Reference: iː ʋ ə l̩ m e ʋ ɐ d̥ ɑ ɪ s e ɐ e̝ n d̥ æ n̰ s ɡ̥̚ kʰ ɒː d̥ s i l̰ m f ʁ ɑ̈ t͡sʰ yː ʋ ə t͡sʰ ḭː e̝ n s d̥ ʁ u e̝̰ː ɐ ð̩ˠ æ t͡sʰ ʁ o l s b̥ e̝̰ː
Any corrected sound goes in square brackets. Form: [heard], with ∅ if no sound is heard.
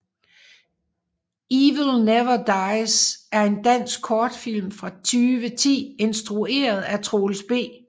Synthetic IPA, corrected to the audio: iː ʋ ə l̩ [n] e ʋ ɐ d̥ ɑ ɪ s [æ] ɐ e̝ n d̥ æ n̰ s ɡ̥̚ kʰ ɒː d̥ [f] i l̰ m f ʁ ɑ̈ t͡sʰ yː ʋ ə t͡sʰ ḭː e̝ n s d̥ ʁ u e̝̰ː ɐ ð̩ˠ æ t͡sʰ ʁ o l s b̥ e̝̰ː